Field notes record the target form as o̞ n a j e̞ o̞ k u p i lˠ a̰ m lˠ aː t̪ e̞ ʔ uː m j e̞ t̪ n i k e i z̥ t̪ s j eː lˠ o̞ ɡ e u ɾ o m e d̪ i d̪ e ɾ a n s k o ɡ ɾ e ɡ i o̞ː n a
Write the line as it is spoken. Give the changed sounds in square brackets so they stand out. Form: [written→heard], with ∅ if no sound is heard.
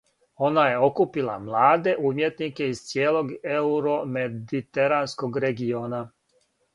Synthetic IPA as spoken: o̞ n a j e̞ o̞ k u p i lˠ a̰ m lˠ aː [t̪→d̪] e̞ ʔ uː m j e̞ t̪ n i k e i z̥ t̪ s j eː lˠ o̞ ɡ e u ɾ o m e d̪ i [d̪→t̪] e ɾ a n s k o ɡ ɾ e ɡ i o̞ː n a